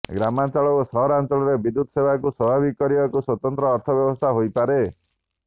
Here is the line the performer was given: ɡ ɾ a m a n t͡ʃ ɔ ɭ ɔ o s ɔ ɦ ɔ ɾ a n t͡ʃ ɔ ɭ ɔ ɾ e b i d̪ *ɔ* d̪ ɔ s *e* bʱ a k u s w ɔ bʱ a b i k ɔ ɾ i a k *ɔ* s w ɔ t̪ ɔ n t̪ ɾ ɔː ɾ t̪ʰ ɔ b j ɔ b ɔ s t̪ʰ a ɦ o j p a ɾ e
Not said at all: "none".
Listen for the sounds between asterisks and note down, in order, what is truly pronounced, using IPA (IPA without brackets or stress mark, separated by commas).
u, e, u